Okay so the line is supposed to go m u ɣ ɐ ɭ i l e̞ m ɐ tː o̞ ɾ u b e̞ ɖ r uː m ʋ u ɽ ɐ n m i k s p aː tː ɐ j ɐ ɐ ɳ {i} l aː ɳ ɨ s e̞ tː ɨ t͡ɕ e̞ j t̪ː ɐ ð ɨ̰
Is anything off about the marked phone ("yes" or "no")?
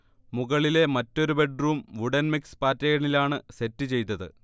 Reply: no